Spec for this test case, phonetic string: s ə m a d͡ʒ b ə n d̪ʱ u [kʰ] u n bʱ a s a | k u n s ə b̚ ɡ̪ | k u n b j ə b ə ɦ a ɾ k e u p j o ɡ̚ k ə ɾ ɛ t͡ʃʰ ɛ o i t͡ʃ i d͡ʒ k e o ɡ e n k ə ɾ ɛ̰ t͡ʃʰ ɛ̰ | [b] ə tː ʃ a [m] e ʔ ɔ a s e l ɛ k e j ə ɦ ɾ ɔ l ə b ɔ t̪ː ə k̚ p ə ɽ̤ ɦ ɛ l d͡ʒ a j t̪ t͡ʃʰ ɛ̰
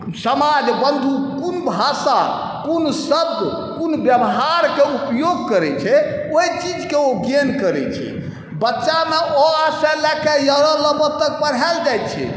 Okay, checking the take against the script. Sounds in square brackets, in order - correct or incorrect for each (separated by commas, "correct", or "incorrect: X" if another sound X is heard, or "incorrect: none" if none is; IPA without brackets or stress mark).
incorrect: k, correct, correct